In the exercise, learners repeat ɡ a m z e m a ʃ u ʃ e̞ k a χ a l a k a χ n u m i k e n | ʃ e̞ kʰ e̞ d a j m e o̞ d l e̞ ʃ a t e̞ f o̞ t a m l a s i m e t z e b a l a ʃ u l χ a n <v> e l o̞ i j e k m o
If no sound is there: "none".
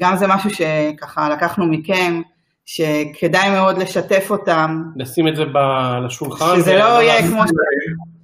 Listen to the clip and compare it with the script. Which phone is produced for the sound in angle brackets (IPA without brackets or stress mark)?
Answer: z